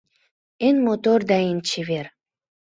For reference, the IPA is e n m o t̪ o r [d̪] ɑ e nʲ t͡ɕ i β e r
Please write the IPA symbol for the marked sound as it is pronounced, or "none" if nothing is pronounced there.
d̪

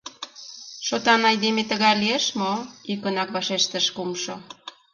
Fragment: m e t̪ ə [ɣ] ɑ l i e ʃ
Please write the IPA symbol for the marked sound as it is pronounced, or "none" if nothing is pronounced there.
ɣ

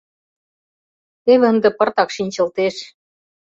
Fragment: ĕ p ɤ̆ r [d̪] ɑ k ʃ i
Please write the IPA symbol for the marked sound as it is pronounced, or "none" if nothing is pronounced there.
t̪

